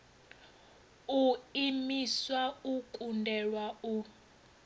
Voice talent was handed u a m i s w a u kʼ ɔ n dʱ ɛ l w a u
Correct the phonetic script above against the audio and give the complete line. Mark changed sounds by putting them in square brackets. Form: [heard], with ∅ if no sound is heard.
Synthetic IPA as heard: u [i] m i s w a u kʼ [u] n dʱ ɛ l w a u